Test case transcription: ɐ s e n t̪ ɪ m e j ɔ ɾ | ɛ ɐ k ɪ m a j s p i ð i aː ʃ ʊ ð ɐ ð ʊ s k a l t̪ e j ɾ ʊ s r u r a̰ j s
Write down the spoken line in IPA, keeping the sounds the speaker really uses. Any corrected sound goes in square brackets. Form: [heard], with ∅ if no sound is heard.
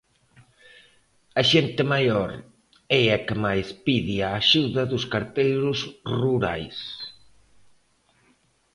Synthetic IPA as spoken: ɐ [ʃ] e n t̪ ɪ m [a] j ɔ ɾ | ɛ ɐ k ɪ m a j s p i ð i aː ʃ [u] ð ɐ ð ʊ s k a [ɾ] t̪ e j ɾ ʊ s r u [ɾ] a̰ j s